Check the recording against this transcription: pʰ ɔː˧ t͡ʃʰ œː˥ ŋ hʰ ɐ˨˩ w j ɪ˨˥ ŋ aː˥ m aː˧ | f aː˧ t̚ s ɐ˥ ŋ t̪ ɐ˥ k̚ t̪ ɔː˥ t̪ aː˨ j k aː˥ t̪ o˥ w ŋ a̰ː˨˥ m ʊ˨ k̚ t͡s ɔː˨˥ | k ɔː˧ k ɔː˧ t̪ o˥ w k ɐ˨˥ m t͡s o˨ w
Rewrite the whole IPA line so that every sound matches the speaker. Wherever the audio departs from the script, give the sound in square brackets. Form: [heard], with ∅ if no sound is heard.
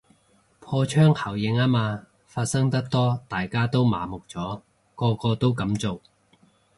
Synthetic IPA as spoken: pʰ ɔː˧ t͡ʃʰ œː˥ ŋ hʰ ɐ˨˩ w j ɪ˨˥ ŋ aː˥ m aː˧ | f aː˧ t̚ s ɐ˥ ŋ t̪ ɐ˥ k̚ t̪ ɔː˥ t̪ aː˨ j k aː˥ t̪ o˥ w [m] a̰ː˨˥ m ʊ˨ k̚ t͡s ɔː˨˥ | k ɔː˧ k ɔː˧ t̪ o˥ w k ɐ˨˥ m t͡s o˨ w